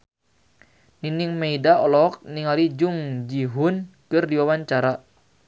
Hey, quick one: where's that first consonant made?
tongue tip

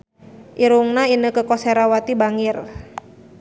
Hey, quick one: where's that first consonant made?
throat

